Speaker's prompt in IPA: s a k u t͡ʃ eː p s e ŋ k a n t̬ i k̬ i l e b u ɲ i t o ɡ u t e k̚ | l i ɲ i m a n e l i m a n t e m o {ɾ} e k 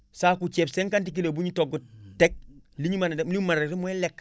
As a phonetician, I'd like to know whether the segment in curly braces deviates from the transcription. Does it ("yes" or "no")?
yes